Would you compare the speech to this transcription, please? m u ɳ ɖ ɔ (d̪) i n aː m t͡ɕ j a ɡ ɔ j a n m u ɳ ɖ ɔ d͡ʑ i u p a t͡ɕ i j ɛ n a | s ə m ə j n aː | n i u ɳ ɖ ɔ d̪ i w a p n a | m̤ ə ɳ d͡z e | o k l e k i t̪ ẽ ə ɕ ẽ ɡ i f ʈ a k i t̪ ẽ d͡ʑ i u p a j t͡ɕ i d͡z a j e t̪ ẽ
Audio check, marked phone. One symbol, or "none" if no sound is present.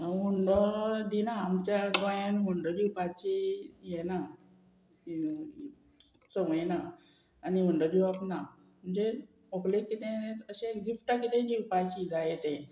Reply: d̪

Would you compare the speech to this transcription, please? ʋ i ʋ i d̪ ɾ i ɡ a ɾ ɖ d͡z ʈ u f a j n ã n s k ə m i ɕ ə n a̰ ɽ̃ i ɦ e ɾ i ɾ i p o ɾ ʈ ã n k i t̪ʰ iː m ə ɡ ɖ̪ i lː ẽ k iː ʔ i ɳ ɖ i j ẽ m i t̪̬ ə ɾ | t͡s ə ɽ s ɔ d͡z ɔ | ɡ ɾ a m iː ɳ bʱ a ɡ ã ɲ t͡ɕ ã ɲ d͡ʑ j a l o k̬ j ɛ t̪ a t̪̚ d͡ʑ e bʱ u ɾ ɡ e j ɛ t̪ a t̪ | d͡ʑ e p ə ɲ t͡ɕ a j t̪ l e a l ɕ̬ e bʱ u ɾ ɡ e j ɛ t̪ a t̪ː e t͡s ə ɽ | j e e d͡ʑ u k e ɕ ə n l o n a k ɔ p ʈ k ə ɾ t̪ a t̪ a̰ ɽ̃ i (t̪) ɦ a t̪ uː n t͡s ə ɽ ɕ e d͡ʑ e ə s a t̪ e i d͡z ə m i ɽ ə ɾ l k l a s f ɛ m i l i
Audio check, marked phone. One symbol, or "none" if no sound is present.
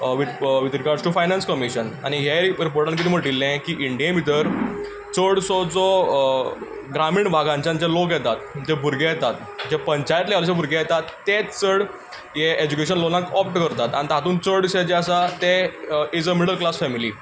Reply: t̪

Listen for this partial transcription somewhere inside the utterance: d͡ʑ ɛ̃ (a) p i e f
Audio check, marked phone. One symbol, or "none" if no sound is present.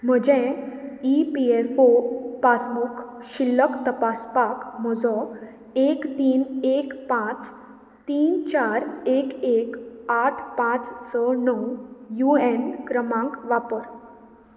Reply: i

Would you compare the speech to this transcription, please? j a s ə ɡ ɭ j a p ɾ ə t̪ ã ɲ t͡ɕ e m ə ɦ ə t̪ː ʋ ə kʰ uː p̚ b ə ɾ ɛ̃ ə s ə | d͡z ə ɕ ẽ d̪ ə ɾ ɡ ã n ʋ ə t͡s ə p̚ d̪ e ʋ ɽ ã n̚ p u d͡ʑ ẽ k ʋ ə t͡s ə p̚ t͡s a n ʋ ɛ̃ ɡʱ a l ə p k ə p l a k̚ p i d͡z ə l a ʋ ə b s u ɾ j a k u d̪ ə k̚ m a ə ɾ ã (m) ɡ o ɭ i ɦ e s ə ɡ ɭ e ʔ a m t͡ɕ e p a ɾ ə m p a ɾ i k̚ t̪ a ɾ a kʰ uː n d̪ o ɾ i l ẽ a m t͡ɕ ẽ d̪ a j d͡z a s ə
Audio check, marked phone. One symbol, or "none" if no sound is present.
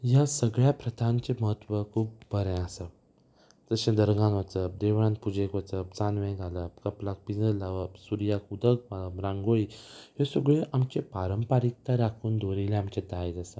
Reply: ŋ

